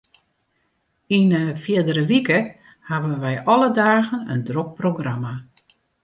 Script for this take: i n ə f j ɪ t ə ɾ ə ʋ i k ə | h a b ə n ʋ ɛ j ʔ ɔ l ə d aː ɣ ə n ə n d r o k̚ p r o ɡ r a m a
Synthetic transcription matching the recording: i n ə f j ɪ d ə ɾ ə ʋ i k ə | h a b ə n ʋ ɛ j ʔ ɔ l ə d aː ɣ ə n ə n d r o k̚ p r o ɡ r a m a